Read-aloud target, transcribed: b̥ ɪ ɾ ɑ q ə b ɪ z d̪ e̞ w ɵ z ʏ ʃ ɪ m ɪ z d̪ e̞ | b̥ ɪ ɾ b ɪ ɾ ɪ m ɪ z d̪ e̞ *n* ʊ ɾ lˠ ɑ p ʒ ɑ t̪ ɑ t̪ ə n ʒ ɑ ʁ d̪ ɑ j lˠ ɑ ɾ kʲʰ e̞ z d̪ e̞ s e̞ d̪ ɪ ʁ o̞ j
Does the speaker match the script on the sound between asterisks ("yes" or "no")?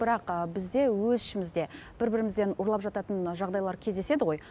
yes